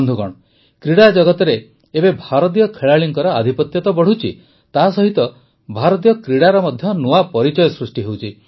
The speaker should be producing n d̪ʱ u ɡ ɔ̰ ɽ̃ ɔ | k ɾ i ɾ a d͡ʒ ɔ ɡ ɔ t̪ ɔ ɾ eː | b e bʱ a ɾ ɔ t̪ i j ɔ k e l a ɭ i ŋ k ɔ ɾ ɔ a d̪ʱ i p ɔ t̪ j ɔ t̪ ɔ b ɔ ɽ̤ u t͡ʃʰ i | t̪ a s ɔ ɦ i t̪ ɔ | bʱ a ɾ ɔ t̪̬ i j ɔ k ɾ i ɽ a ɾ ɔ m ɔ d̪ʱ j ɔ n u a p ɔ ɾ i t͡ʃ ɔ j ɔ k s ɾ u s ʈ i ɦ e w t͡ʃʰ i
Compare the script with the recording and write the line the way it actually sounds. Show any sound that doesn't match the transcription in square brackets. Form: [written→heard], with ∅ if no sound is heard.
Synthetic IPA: n d̪ʱ u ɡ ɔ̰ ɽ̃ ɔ | k ɾ i [ɾ→ɽ] a d͡ʒ ɔ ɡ ɔ t̪ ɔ ɾ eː | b e bʱ a ɾ ɔ t̪ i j ɔ [k→kʰ] e [l→ɭ] a ɭ i ŋ k ɔ ɾ ɔ a d̪ʱ i p ɔ t̪ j ɔ t̪ ɔ b ɔ ɽ̤ u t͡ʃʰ i | t̪ a s ɔ ɦ i t̪ ɔ | bʱ a ɾ ɔ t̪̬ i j ɔ k ɾ i ɽ a ɾ ɔ m ɔ d̪ʱ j ɔ n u a p ɔ ɾ i t͡ʃ ɔ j ɔ [k→∅] s ɾ u s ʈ i ɦ e w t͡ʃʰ i